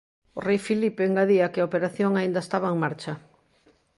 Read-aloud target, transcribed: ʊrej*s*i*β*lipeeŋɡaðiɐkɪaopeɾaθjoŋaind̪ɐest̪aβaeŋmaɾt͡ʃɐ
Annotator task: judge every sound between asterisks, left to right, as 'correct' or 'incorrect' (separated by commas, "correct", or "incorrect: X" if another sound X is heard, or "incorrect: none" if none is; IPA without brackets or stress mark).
incorrect: f, incorrect: none